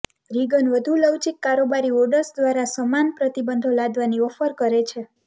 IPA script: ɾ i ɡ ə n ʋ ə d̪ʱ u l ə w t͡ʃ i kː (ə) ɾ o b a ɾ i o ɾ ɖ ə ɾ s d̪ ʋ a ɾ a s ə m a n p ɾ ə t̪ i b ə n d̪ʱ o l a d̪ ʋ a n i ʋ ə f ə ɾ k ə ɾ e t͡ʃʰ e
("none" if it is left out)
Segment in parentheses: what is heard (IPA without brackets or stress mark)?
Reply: a